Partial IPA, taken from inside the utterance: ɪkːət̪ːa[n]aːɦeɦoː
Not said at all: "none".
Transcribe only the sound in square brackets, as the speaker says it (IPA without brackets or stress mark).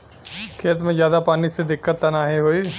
n